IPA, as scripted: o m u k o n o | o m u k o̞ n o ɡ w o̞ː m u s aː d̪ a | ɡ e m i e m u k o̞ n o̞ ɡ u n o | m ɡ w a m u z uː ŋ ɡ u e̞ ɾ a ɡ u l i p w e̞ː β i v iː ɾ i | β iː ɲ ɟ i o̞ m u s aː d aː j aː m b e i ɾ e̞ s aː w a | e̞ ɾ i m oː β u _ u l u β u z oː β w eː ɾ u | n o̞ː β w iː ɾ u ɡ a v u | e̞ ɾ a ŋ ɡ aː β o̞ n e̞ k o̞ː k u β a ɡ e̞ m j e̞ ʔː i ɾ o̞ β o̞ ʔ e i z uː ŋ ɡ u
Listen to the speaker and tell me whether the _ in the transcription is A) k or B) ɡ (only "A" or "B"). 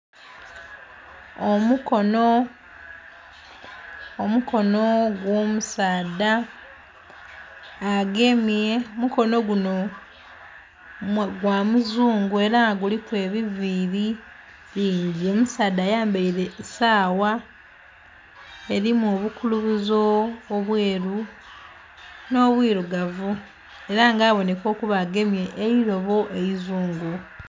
A